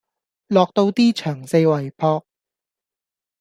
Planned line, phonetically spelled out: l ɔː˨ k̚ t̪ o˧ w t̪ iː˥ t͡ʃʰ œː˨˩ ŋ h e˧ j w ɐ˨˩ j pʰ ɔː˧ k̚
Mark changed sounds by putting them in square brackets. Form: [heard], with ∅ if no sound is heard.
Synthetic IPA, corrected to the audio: l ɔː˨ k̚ t̪ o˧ w t̪ iː˥ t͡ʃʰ œː˨˩ ŋ [s] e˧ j w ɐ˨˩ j pʰ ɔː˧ k̚